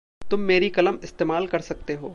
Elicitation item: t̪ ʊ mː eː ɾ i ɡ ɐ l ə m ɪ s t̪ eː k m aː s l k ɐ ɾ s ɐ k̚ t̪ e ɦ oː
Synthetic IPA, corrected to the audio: t̪ ʊ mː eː ɾ i k ɐ l ə m ɪ s t̪ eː m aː l k ɐ ɾ s ɐ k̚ t̪ e ɦ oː